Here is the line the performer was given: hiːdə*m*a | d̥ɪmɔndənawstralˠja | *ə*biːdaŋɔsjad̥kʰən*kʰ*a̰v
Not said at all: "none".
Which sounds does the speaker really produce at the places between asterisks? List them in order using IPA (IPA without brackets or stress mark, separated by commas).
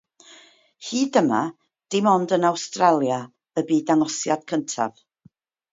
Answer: m, ə, tʰ